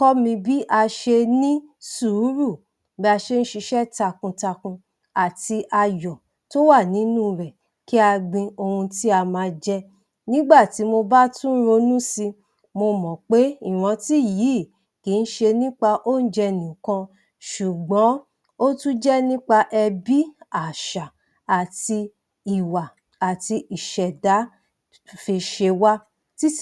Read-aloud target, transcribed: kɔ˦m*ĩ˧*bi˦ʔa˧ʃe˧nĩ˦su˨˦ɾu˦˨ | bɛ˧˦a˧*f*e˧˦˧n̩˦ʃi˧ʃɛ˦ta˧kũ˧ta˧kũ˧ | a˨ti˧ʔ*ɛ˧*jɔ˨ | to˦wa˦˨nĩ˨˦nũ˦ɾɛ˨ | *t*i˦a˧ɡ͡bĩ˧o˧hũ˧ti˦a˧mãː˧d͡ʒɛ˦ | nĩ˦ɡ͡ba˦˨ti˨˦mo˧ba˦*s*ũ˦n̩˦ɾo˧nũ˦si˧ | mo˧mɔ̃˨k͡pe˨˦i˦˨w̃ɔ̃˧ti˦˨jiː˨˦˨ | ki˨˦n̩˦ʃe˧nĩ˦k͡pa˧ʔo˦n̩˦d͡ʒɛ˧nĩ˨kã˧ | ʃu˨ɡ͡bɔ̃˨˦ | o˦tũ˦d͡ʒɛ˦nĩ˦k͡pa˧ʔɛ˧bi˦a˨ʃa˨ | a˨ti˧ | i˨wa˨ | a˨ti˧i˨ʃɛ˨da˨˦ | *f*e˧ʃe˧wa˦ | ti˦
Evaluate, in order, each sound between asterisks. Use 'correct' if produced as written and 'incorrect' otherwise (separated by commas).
correct, incorrect, incorrect, incorrect, incorrect, correct